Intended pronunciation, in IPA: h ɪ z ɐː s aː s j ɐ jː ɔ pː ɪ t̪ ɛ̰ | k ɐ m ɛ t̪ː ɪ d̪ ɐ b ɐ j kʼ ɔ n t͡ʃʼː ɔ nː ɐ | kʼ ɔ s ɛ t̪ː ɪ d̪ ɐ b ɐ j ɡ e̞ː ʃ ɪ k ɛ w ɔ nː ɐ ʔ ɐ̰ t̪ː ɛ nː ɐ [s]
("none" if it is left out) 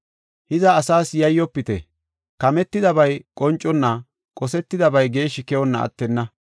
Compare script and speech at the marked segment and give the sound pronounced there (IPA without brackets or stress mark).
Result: none